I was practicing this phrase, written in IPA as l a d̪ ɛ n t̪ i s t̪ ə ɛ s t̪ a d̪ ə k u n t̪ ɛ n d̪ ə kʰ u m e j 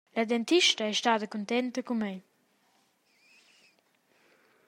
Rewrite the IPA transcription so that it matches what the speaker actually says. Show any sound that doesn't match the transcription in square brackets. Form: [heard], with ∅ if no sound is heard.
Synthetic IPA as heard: l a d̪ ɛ n t̪ i [ʃ] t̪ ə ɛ [ʃ] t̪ a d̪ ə k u n t̪ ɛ n [t̪] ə [k] u m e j